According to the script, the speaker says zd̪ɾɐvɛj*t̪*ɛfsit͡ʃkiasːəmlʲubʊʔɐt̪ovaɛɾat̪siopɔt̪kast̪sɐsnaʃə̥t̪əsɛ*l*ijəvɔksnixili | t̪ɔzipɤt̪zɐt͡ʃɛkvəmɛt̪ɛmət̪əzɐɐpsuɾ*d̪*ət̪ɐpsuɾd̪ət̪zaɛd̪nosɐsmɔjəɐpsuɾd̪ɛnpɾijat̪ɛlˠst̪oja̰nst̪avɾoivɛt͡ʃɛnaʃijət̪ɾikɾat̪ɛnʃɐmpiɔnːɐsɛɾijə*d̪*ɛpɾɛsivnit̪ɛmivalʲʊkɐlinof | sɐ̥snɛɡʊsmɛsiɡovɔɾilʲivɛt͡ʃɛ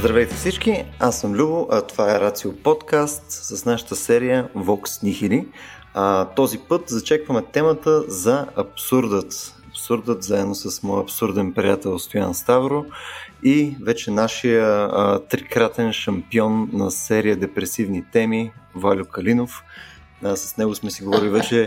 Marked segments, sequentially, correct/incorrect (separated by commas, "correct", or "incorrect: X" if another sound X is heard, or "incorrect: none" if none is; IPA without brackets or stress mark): correct, incorrect: ɾ, correct, correct